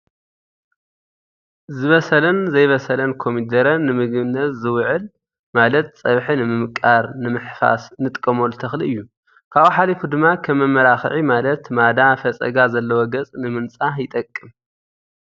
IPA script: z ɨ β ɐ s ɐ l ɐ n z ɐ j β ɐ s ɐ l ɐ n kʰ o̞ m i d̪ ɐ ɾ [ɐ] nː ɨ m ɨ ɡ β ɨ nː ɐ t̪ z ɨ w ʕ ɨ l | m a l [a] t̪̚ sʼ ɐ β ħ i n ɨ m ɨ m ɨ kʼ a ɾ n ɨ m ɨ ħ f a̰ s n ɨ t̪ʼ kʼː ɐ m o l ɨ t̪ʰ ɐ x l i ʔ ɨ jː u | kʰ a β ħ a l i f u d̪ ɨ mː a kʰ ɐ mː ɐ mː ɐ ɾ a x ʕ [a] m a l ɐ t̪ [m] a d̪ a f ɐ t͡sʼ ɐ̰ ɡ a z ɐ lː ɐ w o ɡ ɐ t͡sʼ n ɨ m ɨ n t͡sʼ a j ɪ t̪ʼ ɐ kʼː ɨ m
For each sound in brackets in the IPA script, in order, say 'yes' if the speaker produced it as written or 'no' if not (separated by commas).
yes, no, no, yes